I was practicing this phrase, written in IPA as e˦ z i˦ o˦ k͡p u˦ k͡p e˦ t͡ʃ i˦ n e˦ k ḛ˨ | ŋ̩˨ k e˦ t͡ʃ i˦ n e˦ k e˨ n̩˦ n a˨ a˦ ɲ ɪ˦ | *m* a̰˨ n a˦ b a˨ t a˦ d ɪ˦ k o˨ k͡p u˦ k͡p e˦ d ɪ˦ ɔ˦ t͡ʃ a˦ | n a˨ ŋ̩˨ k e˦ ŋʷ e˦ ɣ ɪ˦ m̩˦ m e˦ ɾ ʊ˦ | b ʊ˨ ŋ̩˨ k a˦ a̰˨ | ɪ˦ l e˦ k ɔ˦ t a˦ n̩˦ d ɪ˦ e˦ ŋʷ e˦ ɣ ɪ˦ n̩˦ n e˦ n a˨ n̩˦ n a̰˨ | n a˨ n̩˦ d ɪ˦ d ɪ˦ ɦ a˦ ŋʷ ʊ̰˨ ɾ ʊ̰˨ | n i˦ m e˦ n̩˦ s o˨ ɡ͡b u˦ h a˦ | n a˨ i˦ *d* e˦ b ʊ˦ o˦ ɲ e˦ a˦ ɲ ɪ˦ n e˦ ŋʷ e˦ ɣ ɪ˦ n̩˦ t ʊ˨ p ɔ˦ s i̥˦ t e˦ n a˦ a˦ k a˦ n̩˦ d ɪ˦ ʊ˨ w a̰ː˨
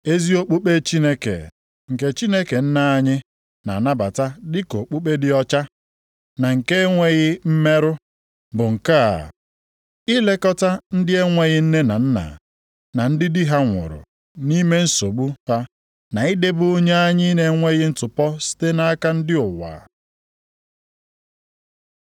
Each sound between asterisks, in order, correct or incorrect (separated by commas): incorrect, correct